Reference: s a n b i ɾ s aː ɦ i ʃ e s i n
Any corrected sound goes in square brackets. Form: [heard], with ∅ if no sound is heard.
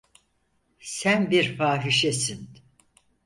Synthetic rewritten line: s [æ] n b i ɾ [f] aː ɦ i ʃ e s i n